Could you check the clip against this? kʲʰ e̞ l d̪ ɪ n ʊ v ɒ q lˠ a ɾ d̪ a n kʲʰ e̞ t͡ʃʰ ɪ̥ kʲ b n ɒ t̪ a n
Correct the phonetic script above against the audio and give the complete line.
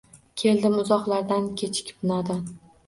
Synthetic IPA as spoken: kʲʰ e̞ l d̪ ɪ m ʊ z ɒ q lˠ a ɾ d̪ a n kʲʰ e̞ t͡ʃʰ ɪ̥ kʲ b n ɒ d̪ a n